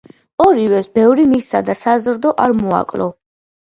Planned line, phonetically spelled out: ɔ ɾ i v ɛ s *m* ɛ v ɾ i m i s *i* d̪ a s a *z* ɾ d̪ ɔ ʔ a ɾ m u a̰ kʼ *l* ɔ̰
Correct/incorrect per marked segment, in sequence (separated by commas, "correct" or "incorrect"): incorrect, incorrect, correct, correct